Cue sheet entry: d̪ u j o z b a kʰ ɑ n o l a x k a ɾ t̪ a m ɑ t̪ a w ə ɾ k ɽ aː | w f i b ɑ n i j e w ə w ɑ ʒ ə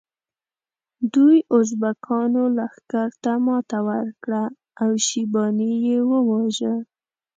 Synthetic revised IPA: d̪ u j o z b a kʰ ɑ n o l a x k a ɾ t̪ a m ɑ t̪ a w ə ɾ k ɽ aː | w ʃ i b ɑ n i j e w ə w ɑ ʒ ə